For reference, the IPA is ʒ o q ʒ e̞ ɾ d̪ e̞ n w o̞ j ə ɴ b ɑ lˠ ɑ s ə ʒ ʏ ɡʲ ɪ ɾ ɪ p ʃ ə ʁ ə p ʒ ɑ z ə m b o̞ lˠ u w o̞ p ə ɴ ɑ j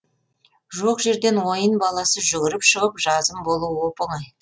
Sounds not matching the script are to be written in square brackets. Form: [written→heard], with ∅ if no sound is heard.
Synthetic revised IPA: ʒ o q ʒ e̞ ɾ d̪ e̞ n w o̞ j ə [ɴ→n] b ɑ lˠ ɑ s ə ʒ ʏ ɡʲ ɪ ɾ ɪ p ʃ ə ʁ ə p ʒ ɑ z ə m b o̞ lˠ u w o̞ p ə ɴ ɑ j